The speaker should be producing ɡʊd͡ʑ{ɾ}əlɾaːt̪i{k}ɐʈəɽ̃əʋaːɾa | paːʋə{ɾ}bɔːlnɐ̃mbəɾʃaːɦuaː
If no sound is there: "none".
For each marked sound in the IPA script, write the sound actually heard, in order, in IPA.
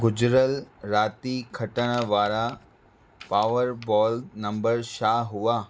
ɾ, kʰ, ɾ

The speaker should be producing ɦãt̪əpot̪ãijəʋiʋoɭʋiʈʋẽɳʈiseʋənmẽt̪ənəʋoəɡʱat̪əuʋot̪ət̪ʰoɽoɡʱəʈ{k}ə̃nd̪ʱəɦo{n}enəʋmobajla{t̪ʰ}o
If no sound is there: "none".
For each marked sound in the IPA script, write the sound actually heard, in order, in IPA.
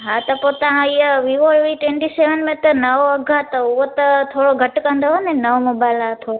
k, n, t̪ʰ

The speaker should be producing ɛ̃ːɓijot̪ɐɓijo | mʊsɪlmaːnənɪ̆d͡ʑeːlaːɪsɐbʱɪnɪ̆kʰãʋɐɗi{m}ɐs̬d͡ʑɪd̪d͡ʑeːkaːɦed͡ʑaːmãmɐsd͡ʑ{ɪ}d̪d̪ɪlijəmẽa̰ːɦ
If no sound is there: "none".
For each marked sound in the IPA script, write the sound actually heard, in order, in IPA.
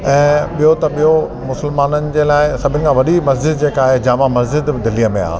m, ɪ

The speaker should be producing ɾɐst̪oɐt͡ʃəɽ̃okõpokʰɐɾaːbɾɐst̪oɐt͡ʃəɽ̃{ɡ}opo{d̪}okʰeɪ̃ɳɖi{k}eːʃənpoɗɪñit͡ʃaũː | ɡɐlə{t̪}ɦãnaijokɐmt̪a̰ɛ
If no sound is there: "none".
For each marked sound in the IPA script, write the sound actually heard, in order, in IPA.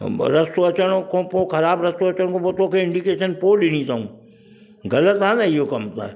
k, t̪, k, t̪

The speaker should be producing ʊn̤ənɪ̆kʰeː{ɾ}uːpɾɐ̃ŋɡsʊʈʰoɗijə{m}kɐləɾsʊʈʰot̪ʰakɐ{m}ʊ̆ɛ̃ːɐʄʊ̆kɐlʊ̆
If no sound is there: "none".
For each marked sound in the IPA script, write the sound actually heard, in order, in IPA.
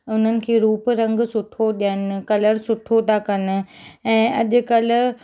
ɾ, n, n

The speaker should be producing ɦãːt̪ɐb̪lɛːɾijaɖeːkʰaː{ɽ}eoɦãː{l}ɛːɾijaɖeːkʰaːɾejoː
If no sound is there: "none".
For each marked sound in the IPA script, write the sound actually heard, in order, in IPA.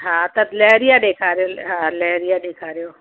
ɾ, l

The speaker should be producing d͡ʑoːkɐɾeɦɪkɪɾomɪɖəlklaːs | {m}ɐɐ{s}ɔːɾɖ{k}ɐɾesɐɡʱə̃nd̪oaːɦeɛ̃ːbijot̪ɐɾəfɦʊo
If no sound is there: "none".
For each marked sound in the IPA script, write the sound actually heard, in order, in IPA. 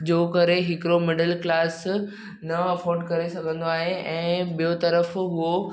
n, f, k

